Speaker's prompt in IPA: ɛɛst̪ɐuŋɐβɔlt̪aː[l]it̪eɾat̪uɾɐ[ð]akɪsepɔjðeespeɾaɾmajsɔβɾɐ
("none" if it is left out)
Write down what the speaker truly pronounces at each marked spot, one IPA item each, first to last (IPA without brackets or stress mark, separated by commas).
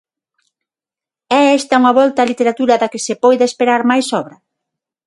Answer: l, ð